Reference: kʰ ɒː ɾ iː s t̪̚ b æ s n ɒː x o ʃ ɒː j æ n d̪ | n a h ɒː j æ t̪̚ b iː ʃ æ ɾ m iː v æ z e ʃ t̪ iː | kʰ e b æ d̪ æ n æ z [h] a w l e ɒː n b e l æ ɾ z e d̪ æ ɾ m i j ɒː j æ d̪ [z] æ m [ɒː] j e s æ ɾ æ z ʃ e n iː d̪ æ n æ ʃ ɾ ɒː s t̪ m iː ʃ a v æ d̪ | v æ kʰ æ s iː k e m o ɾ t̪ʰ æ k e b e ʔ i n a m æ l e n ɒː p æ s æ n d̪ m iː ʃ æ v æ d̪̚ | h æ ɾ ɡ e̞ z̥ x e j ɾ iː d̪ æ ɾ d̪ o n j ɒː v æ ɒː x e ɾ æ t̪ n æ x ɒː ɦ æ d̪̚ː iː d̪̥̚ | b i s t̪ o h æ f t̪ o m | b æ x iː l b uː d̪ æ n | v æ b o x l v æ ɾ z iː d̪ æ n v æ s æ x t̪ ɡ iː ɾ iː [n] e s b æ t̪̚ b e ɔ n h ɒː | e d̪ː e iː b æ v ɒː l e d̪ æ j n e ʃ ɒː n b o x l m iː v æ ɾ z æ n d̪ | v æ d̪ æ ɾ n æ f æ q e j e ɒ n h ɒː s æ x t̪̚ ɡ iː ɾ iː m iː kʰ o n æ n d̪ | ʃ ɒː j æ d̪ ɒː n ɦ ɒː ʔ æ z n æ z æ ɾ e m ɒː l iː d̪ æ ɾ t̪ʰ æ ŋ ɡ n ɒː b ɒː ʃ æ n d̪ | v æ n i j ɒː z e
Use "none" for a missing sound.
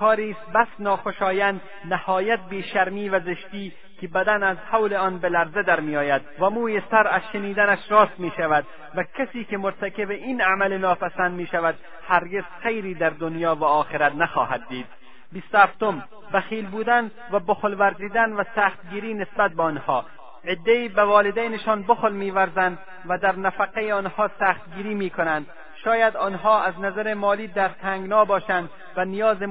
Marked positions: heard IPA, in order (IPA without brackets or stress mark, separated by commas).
h, v, uː, n